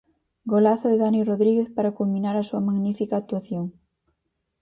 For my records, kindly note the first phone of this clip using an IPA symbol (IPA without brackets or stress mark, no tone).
ɡ